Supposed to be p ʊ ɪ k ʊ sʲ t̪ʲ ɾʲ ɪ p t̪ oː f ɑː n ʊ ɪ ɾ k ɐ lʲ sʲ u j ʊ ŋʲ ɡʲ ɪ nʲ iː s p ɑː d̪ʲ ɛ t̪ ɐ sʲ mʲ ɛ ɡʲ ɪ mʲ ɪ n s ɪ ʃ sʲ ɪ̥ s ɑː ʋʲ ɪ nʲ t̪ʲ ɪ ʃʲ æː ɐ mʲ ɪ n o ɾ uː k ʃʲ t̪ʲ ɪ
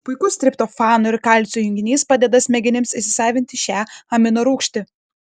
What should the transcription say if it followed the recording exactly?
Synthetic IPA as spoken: p ʊ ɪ k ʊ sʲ t̪ʲ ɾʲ ɪ p t̪ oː f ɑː n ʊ ɪ ɾ k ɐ lʲ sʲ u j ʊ ŋʲ ɡʲ ɪ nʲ iː s p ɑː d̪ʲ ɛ d̪ ɐ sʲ mʲ ɛ ɡʲ ɪ nʲ ɪ m s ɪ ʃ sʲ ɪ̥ s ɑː ʋʲ ɪ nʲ t̪ʲ ɪ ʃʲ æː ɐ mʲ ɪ n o ɾ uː k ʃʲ t̪ʲ ɪ